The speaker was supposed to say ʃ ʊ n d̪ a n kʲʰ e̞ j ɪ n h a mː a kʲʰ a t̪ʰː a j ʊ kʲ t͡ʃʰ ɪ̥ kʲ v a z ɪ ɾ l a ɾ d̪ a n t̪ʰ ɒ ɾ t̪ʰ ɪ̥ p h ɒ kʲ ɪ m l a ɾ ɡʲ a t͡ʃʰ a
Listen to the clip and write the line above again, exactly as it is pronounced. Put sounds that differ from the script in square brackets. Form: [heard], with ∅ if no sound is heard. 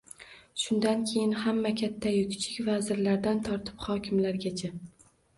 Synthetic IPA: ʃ ʊ n d̪ a n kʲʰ e̞ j ɪ n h a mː a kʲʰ a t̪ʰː a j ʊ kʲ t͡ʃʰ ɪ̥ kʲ v a z ɪ ɾ l a ɾ d̪ a n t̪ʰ ɒ ɾ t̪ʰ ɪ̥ p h ɒ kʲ ɪ m l a ɾ ɡʲ a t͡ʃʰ a